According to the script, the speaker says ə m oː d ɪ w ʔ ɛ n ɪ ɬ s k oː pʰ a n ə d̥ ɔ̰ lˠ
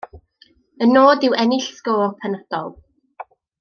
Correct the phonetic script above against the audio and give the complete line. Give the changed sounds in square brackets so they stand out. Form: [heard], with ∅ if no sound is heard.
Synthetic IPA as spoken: ə [n] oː d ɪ w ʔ ɛ n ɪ ɬ s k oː pʰ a n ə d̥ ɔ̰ lˠ

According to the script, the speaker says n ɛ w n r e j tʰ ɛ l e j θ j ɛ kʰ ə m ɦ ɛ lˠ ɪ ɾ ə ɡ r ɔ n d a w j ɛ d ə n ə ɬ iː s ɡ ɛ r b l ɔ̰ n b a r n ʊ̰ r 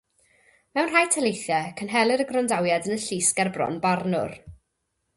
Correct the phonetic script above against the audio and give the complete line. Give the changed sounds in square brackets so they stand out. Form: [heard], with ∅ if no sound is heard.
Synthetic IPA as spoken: [m] ɛ w n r [a] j tʰ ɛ l e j θ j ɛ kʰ ə [n] ɦ ɛ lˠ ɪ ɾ ə ɡ r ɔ n d a w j [a] d ə n ə ɬ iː s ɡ ɛ r b [r] ɔ̰ n b a r n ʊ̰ r

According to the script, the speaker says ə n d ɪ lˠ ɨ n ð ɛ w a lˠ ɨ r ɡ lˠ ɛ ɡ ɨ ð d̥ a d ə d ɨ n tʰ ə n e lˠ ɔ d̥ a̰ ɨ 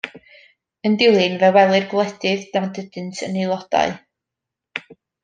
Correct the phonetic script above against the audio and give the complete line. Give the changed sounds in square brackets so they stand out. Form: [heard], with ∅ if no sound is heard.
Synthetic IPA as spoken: ə n d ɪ lˠ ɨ n [v] ɛ w [ɛ] lˠ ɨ r ɡ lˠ ɛ [d] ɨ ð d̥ a d ə d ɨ n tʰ ə n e lˠ ɔ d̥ a̰ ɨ

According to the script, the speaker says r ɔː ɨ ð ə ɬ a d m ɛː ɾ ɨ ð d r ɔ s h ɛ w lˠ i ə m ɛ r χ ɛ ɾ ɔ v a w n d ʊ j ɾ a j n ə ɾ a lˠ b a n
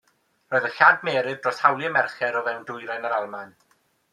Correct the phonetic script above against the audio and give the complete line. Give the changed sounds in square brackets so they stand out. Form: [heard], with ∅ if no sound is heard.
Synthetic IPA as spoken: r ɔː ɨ ð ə ɬ a d m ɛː ɾ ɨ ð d r ɔ s h [a] w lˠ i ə m ɛ r χ ɛ ɾ ɔ v [ɛ] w n d ʊ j ɾ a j n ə ɾ a lˠ [m] a n

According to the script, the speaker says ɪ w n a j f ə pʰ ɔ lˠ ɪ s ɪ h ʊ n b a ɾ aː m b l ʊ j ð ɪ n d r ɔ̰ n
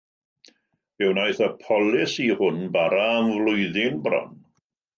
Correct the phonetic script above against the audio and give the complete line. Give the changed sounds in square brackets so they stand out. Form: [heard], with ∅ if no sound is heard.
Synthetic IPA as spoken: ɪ w n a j [θ] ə pʰ ɔ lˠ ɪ s [i] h ʊ n b a ɾ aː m [v] l ʊ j ð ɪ n [b] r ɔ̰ n

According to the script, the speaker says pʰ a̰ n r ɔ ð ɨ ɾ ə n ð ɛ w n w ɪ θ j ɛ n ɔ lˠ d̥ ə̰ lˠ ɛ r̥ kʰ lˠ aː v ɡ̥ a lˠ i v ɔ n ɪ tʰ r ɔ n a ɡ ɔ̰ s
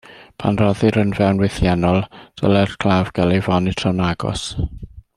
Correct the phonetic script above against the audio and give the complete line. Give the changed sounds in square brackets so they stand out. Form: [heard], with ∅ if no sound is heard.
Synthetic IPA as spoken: pʰ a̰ n r ɔ ð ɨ ɾ ə n [v] ɛ w n w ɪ θ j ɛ n ɔ lˠ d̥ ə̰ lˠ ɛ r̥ kʰ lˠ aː v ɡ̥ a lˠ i v ɔ n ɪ tʰ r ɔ n a ɡ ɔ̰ s

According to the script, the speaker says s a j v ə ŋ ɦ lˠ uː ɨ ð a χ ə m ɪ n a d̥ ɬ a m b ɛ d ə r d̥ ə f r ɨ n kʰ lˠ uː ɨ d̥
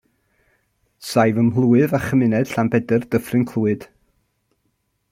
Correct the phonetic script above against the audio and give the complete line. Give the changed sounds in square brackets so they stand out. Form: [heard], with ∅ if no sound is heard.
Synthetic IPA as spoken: s a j v ə [m] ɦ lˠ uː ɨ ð a χ ə m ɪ n [ɛ] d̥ ɬ a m b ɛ d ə r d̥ ə f r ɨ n kʰ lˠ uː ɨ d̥

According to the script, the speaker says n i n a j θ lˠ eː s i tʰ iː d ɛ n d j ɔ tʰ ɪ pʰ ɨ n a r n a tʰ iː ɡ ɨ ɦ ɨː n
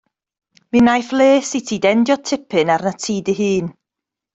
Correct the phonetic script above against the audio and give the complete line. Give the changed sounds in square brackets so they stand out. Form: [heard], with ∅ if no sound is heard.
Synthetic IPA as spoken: [m] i n a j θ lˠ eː s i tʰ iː d ɛ n d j ɔ tʰ ɪ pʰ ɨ n a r n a tʰ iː [d] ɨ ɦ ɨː n

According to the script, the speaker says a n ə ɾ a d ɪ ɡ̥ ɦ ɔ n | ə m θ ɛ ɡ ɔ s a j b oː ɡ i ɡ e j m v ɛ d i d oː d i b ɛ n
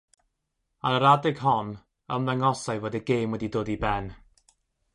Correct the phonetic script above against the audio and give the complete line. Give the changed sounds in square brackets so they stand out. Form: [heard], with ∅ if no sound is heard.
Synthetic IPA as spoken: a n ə ɾ a d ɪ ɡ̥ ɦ ɔ n | ə m [ð] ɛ [ŋ] ɔ s a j [v] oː [d] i ɡ e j m [w] ɛ d i d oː d i b ɛ n

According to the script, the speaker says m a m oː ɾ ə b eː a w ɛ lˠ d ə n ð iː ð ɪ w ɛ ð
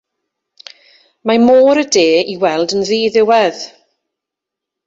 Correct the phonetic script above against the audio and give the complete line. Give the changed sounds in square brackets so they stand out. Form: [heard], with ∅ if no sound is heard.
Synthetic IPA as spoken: m a m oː ɾ ə [d] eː [i] w ɛ lˠ d ə n ð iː ð ɪ w ɛ ð

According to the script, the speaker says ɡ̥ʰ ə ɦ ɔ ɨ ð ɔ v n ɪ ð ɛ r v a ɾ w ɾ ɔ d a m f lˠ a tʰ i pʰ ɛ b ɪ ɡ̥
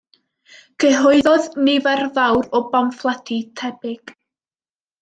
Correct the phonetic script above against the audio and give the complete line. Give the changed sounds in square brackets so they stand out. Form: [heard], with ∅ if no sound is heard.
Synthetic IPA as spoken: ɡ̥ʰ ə ɦ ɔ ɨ ð ɔ [ð] n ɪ [v] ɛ r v a [∅] w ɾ ɔ [b] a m f lˠ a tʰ i [tʰ] ɛ b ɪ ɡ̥

